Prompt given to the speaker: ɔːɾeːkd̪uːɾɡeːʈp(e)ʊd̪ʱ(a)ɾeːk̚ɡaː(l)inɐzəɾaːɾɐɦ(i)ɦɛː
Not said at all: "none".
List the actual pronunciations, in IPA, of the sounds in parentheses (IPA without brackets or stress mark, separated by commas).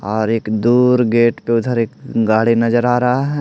e, ə, ɽ, a